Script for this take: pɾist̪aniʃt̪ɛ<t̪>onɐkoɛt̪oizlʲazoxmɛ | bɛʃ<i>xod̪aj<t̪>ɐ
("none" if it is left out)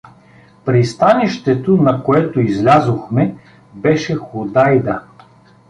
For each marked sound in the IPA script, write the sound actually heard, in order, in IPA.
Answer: t̪, ɛ, d̪

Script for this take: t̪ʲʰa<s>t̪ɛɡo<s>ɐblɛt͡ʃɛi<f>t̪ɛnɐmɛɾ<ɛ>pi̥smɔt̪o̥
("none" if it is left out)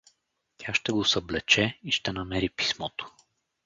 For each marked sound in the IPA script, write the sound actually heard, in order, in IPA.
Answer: ʃ, s, ʃ, i

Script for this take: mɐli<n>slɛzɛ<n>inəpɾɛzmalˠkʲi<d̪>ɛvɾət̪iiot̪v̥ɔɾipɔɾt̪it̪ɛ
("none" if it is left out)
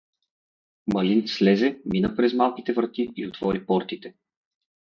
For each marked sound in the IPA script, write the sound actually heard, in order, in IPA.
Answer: n, m, t̪

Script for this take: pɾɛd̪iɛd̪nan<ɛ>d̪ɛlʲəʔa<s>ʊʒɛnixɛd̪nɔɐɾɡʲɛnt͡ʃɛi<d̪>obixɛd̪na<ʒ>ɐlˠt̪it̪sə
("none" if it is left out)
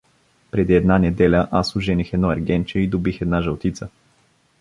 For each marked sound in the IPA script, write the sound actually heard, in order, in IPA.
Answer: ɛ, s, d̪, ʒ

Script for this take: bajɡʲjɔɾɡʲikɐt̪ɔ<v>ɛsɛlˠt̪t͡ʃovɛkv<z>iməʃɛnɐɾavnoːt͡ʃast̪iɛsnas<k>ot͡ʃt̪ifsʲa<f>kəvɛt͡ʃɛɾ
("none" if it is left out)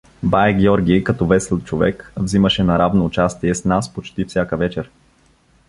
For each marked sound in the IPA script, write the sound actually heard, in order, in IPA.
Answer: v, z, p, none

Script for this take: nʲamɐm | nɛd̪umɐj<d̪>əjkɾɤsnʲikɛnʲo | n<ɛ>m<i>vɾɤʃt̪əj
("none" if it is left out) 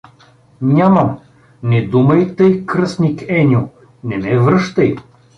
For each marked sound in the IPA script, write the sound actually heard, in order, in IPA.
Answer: t̪, ɛ, ɛ

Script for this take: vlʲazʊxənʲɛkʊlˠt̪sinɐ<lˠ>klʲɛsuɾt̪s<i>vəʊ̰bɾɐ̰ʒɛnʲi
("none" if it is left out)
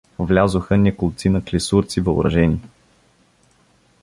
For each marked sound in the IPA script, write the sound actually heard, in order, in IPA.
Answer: none, i

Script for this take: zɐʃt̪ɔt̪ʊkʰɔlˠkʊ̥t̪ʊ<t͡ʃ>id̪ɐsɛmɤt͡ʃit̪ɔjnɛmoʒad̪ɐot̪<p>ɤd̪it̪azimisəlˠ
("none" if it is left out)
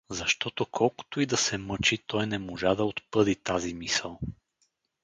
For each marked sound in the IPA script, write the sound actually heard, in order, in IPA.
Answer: none, p

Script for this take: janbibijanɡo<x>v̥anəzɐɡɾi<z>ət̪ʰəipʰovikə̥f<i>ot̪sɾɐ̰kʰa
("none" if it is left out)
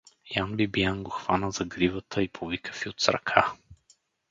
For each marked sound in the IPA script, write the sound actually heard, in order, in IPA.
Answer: x, v, i

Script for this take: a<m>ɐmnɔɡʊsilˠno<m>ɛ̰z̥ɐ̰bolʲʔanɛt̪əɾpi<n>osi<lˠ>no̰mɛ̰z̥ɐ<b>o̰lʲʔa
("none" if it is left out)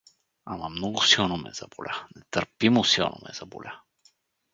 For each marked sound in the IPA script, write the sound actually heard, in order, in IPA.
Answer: m, m, m, lˠ, b

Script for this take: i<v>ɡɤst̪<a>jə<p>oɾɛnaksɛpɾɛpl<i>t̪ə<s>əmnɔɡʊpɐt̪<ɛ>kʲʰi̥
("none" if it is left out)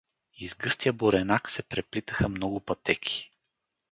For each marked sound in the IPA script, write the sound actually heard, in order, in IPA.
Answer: z, i, b, i, x, ɛ

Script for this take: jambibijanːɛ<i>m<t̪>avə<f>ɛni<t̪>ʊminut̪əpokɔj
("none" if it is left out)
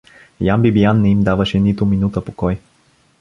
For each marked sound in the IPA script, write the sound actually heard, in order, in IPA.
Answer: i, d̪, ʃ, t̪

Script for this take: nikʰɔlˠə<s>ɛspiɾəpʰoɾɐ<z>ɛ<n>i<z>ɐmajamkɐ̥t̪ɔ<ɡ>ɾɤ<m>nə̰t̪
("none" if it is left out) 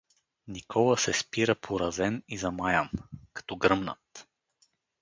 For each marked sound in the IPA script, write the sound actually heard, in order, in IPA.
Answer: s, z, n, z, ɡ, m

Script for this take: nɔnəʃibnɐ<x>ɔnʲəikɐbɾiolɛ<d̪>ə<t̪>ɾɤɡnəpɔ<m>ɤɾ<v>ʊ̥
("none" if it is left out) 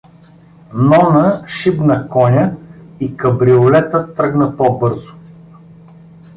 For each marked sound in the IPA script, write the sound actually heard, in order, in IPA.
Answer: k, t̪, t̪, b, z

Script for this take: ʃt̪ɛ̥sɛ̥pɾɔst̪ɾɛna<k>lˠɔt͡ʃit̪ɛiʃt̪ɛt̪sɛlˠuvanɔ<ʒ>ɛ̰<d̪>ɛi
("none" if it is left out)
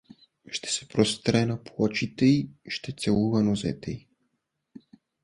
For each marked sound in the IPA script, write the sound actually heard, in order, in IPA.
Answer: p, z, t̪

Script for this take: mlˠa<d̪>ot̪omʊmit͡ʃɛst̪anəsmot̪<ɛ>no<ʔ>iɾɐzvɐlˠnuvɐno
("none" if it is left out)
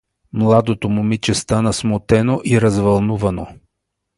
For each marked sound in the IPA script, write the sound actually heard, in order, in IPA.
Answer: d̪, ɛ, ʔ

